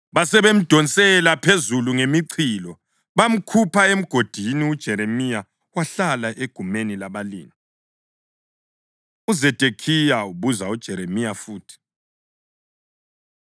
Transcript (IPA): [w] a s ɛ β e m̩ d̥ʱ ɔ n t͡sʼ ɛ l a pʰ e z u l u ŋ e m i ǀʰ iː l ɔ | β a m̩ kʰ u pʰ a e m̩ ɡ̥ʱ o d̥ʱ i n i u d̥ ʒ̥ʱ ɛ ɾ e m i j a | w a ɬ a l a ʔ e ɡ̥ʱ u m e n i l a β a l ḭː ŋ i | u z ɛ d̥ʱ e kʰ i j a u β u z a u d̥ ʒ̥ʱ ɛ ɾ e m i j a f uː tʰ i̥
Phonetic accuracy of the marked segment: incorrect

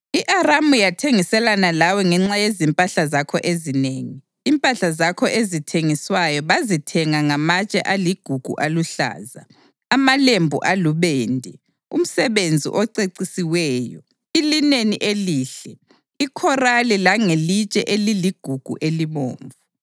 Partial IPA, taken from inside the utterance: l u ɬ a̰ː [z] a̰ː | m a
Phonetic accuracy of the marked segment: correct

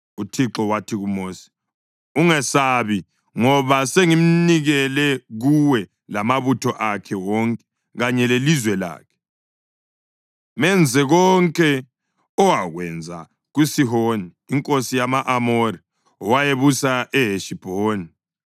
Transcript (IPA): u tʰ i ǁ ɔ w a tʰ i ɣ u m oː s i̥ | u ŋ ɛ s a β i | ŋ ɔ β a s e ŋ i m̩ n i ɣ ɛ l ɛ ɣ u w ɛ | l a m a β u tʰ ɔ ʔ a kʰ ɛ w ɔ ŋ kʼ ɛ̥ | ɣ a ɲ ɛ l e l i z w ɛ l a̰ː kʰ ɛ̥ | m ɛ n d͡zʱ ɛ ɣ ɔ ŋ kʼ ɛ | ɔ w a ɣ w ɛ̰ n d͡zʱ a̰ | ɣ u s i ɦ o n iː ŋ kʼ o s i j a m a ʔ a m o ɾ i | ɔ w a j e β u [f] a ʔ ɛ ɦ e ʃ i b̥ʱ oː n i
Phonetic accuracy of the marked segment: incorrect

